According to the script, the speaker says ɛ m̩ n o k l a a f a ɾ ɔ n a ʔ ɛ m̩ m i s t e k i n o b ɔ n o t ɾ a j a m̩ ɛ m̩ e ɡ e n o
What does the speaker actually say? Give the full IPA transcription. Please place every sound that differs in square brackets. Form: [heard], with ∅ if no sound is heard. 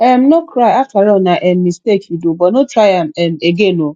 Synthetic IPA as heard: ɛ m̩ n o k [ɾ] a a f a ɾ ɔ n a ʔ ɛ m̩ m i s t e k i [d] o b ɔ n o t ɾ a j a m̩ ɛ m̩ e ɡ e n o

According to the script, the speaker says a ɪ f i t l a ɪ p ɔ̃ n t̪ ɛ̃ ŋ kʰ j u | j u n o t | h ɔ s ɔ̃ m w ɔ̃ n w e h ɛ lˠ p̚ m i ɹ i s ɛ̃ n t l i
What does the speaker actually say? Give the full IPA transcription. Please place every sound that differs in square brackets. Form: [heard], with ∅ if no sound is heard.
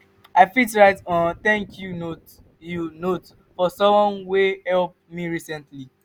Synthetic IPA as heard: a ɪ f i t [ɹ] a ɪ [t] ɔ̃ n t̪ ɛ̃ ŋ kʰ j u | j u n o t | [f] ɔ s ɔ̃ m w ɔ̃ n w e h ɛ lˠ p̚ m i ɹ i s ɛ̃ n t l i

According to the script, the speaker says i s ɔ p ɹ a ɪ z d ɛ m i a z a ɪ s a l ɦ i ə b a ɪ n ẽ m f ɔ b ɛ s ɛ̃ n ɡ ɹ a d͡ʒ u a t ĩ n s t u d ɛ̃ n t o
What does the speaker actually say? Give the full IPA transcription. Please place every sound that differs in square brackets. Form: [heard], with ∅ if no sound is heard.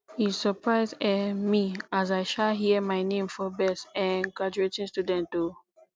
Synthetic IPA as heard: i s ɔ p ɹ a ɪ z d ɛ m i a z a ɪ [ʃ] a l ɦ i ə [m] a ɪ n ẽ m f ɔ b ɛ s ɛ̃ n ɡ ɹ a d͡ʒ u [e] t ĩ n s t u d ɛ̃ n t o

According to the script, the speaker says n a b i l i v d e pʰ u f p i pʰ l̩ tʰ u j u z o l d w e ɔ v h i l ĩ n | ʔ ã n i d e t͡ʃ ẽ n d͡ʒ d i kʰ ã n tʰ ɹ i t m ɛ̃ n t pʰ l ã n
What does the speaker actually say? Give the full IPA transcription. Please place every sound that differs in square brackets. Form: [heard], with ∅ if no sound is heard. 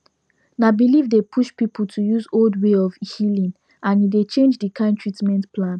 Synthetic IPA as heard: n a b i l i v d e pʰ u [ʃ] p i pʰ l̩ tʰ u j u z o l d w e ɔ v h i l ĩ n | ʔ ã n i d e t͡ʃ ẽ n d͡ʒ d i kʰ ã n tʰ ɹ i t m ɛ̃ n t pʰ l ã n

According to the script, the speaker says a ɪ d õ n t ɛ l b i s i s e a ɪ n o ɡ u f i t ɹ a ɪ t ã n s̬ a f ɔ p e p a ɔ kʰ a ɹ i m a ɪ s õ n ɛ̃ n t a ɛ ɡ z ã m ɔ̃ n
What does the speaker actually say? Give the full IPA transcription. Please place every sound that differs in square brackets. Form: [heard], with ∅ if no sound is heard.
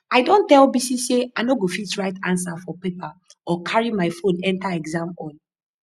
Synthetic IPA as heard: a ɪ d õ n t ɛ l b i s i s e a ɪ n o ɡ [o] f i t ɹ a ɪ t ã n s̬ a f ɔ p e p a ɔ kʰ a ɹ i m a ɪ [f] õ n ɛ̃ n t a ɛ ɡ z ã m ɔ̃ n

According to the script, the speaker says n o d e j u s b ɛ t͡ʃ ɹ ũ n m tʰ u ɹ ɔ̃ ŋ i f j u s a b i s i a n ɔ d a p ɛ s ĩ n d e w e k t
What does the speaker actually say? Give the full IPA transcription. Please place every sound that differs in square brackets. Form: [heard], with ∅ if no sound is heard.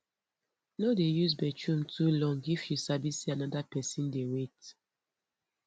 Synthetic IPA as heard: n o d e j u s b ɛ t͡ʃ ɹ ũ [∅] m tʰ u [l] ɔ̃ ŋ i f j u s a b i s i a n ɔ d a p ɛ s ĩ n d e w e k t

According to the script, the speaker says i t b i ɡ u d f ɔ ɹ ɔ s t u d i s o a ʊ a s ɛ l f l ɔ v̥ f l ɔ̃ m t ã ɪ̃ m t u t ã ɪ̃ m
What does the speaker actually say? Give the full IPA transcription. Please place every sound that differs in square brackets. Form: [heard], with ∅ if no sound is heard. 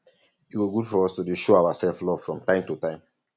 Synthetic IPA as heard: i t [w] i ɡ u d f ɔ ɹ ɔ s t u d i [ʃ] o a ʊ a s ɛ l f l ɔ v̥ f [ɹ] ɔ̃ m t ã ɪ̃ m t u t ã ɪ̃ m

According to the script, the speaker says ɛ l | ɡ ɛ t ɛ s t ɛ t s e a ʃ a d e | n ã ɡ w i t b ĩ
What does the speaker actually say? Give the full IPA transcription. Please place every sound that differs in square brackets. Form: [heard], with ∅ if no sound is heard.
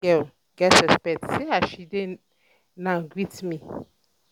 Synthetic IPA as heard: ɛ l | ɡ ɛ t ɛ s [p] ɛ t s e a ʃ [i] d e | n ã ɡ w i t [m] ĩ

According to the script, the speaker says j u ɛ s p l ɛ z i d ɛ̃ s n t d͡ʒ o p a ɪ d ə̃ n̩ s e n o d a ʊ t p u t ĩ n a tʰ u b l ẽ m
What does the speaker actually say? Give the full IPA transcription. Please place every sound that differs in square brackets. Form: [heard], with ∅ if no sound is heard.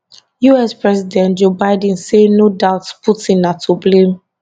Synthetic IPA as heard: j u ɛ s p [ɹ] ɛ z i d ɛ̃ [∅] n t d͡ʒ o [b] a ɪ d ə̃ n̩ s e n o d a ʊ t p u t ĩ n a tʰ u b l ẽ m

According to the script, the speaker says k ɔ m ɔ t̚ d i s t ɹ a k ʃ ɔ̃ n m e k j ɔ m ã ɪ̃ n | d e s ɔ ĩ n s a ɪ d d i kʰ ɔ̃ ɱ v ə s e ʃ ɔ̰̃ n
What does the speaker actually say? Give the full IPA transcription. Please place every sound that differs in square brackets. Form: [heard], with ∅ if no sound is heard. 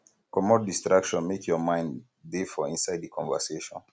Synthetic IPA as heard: k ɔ m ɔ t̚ d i s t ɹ a k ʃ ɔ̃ n m e k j ɔ m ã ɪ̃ n | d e [f] ɔ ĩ n s a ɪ d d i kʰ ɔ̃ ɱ v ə s e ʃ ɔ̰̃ n

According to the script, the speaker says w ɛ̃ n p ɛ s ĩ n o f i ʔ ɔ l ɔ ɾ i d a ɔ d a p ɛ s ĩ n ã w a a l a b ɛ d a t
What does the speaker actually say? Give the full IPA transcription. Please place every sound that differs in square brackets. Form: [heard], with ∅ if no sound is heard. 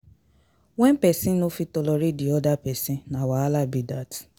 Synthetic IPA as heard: w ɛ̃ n p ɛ s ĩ n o f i [t] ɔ l ɔ ɾ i d [i] ɔ d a p ɛ s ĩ n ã w a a l a b [i] d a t

